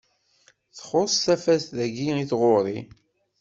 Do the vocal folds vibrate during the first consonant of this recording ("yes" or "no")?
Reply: no